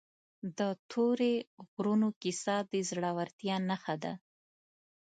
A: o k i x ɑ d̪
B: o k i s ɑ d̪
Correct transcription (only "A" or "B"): B